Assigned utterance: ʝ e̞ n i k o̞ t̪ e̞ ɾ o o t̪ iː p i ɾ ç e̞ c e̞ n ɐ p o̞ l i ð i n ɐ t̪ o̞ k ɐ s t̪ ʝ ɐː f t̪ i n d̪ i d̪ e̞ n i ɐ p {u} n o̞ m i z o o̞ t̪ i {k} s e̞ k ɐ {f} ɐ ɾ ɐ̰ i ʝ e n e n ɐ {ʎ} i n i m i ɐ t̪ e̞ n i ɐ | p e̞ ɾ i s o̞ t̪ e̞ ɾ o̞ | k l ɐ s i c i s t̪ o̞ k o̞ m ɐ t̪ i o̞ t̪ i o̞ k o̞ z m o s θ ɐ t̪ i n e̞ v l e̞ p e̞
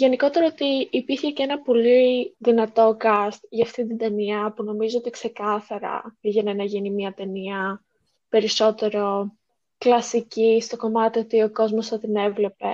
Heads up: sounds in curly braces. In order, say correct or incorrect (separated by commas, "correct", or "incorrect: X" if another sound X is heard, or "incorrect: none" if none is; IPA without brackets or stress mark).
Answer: correct, correct, incorrect: θ, incorrect: ʝ